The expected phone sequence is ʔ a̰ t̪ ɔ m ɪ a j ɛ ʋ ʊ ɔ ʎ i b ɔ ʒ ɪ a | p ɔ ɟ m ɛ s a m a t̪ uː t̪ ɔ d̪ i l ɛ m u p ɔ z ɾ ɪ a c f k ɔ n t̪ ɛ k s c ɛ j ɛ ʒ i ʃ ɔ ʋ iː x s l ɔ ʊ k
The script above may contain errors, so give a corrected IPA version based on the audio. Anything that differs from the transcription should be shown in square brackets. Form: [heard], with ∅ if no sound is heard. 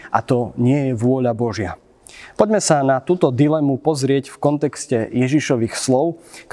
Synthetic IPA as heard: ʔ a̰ t̪ ɔ [ɲ] ɪ [ɛ] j ɛ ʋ ʊ ɔ ʎ [a] b ɔ ʒ ɪ a | p ɔ ɟ m ɛ s a [n] a t̪ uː t̪ ɔ d̪ i l ɛ m u p ɔ z ɾ ɪ [ɛ] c f k ɔ n t̪ ɛ k s c ɛ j ɛ ʒ i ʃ ɔ ʋ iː x s l ɔ ʊ k